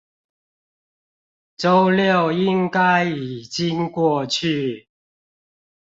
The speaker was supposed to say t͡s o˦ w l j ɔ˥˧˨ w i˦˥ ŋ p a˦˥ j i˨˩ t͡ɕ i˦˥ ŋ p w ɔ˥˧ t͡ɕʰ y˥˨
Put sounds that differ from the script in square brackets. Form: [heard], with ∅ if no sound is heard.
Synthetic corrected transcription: t͡s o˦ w l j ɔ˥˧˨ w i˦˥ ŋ [k] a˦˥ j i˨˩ t͡ɕ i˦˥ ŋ [k] w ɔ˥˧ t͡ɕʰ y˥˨